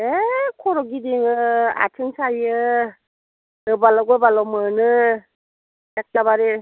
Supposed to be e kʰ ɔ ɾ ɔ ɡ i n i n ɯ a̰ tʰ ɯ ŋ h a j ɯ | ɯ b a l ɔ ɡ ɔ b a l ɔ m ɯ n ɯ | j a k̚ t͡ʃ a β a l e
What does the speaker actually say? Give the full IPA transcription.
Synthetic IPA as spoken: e kʰ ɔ ɾ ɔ ɡ i d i ŋ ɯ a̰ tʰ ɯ ŋ s a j ɯ | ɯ b a l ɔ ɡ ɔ b a l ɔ m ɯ n ɯ | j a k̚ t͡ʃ a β a ɾ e